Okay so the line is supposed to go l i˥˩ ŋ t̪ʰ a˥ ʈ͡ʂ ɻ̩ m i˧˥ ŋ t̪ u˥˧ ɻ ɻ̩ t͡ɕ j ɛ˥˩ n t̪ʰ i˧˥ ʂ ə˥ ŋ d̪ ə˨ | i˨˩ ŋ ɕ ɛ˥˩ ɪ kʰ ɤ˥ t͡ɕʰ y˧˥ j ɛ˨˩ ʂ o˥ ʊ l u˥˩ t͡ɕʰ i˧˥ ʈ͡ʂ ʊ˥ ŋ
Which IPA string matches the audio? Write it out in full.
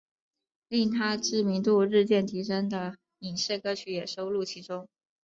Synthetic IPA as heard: l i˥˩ ŋ t̪ʰ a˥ ʈ͡ʂ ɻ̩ m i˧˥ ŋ t̪ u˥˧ ɻ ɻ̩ t͡ɕ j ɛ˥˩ n t̪ʰ i˧˥ ʂ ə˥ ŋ d̪ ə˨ | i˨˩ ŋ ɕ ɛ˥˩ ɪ k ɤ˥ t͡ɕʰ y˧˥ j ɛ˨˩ ʂ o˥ ʊ l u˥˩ t͡ɕʰ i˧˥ ʈ͡ʂ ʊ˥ ŋ